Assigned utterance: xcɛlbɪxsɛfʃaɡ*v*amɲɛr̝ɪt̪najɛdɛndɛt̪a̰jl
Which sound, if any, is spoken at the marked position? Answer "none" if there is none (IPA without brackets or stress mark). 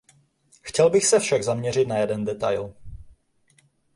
z